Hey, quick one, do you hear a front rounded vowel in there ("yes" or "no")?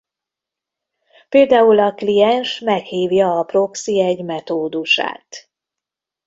no